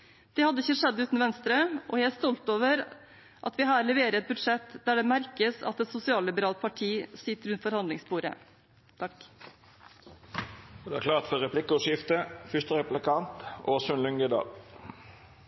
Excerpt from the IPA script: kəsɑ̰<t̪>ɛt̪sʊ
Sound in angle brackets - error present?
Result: no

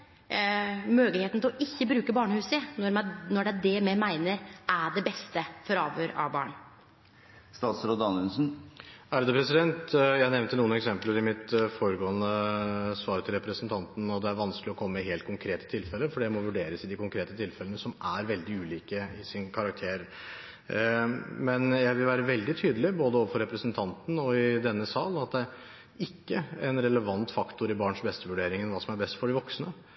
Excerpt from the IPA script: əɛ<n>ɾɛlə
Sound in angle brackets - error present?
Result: no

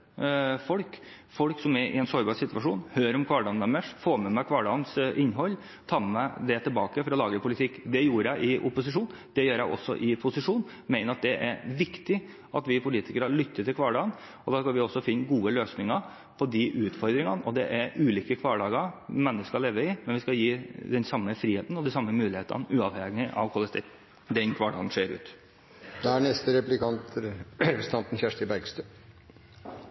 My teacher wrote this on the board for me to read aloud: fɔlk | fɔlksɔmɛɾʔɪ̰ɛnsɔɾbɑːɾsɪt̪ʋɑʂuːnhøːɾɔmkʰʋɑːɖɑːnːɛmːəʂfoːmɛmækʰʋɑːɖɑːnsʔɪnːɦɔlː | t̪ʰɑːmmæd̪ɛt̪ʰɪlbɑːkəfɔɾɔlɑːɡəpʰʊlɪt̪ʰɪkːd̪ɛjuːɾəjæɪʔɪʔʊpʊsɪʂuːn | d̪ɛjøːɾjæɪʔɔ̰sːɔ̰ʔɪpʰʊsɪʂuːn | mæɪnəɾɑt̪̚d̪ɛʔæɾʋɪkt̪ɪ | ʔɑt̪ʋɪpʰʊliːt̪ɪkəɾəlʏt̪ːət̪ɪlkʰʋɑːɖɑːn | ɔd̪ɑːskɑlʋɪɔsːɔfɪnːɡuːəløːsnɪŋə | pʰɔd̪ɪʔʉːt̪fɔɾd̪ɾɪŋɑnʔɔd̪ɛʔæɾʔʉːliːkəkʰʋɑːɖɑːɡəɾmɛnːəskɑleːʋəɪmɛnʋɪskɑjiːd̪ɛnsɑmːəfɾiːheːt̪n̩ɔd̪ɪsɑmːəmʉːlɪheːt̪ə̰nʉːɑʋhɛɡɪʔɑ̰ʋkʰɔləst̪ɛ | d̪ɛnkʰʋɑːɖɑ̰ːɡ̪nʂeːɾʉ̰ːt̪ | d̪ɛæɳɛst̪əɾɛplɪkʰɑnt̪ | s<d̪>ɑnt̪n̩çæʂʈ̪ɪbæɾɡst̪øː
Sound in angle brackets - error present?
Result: yes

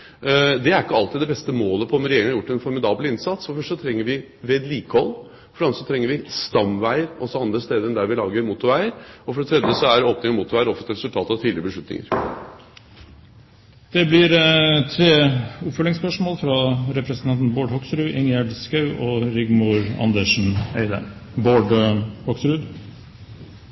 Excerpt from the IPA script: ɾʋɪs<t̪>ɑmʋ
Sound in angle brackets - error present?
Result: no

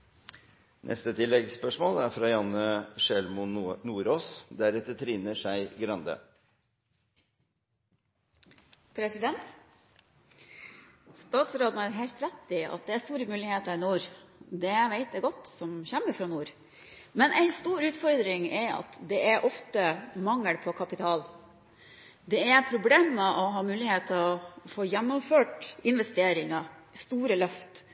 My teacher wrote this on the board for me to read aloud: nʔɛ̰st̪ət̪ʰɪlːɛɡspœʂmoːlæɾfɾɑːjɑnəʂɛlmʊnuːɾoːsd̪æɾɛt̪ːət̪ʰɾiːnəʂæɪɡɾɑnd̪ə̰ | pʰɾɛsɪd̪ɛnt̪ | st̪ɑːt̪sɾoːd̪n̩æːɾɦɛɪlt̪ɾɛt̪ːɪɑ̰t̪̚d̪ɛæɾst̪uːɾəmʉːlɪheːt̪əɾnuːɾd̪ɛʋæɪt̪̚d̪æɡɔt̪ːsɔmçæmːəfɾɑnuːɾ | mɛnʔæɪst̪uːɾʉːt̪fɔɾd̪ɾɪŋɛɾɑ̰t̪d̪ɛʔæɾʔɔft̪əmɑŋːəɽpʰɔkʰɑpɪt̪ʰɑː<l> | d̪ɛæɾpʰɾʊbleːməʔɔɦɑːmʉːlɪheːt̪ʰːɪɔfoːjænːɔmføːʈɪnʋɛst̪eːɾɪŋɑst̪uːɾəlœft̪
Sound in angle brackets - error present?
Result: no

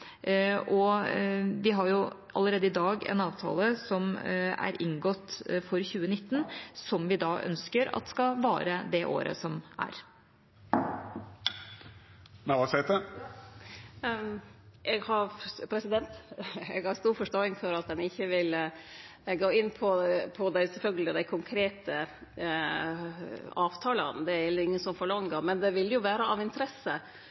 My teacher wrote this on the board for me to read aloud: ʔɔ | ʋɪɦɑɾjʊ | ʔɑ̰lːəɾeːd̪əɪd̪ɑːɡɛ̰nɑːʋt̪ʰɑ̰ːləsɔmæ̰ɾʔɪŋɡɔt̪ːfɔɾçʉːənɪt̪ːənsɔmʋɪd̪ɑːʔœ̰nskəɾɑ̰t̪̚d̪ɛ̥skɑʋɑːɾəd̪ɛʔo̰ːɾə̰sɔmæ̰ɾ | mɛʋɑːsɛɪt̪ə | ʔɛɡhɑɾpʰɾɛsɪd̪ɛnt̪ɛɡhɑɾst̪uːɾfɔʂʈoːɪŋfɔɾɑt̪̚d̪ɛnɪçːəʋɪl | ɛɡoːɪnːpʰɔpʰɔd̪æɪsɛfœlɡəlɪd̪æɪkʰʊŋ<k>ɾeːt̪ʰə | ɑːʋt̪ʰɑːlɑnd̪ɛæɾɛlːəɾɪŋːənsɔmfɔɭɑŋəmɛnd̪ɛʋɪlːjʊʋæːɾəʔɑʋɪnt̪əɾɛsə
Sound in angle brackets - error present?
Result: yes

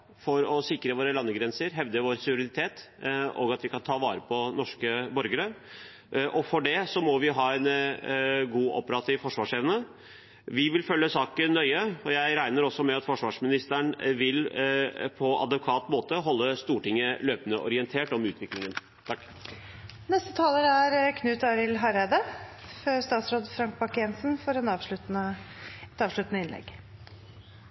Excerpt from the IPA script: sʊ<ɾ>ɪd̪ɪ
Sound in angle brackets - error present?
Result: no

